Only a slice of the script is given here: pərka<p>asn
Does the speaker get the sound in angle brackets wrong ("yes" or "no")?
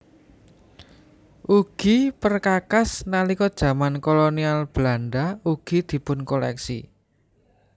yes